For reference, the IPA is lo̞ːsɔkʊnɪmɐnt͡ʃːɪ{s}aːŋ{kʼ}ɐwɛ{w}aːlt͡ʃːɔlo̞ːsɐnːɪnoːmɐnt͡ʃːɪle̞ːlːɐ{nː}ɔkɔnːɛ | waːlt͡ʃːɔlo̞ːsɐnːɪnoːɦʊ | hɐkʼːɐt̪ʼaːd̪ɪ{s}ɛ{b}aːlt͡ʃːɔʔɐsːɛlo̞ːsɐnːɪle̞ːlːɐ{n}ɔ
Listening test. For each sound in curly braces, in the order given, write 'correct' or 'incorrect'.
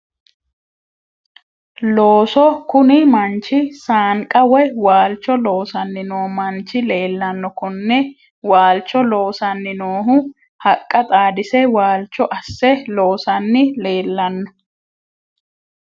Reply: correct, correct, correct, correct, correct, incorrect, incorrect

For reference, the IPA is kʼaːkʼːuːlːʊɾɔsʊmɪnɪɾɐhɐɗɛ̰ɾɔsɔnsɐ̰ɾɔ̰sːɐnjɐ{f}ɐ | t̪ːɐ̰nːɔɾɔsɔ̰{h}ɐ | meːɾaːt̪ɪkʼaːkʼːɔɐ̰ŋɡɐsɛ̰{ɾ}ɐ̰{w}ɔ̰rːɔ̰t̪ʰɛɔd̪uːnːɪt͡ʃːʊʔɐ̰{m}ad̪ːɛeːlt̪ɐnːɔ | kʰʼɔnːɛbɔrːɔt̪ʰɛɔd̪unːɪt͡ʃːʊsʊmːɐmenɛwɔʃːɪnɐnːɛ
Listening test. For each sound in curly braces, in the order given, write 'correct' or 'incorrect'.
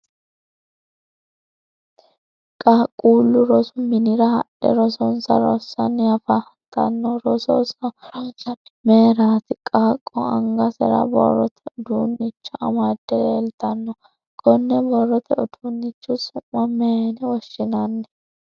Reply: correct, incorrect, correct, incorrect, correct

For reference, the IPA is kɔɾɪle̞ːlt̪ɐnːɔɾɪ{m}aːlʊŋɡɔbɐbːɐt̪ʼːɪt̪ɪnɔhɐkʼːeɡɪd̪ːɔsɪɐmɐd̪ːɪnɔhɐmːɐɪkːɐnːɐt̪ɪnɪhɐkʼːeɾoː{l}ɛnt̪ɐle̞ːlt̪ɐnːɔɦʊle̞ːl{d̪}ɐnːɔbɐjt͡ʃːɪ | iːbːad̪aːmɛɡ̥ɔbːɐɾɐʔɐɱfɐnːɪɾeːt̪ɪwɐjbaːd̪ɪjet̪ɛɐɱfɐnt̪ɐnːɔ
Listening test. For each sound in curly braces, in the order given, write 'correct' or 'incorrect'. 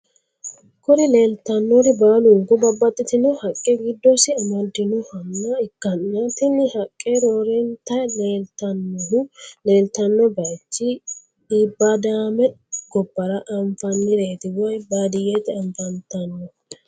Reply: incorrect, incorrect, incorrect

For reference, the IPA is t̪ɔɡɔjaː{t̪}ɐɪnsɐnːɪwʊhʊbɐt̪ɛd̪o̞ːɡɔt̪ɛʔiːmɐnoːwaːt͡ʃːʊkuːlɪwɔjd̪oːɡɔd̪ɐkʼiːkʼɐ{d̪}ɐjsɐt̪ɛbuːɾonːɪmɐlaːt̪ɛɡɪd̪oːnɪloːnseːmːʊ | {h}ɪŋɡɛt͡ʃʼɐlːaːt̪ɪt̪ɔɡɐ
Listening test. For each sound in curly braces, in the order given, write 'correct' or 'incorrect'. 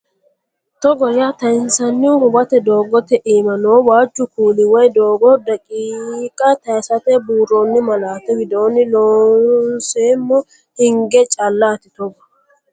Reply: correct, incorrect, correct

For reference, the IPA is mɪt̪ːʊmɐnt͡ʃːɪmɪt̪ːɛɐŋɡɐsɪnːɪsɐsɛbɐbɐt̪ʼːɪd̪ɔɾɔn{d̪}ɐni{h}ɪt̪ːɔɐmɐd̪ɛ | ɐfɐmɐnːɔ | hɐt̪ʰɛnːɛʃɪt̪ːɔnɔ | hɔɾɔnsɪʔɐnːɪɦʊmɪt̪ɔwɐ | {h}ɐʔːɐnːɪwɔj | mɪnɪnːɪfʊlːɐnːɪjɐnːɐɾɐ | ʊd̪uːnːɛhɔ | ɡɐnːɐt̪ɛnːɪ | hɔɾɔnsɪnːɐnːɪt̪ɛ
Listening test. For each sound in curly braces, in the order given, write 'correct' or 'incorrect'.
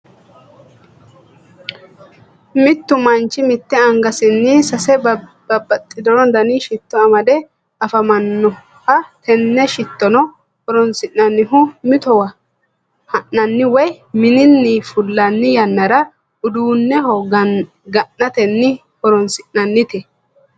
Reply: correct, incorrect, correct

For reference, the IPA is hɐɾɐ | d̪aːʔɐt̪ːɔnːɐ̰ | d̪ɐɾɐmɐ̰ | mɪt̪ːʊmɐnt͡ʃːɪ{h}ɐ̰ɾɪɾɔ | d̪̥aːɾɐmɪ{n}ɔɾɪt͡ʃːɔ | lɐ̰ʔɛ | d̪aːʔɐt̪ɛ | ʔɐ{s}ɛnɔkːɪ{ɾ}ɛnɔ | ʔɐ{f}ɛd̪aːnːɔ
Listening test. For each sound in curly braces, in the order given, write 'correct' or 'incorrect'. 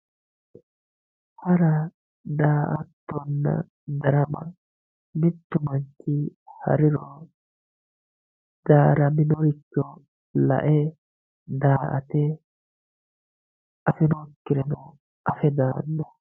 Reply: correct, correct, incorrect, correct, correct

